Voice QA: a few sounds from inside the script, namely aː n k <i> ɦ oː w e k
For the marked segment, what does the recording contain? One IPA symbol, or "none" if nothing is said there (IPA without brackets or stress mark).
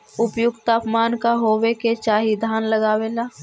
a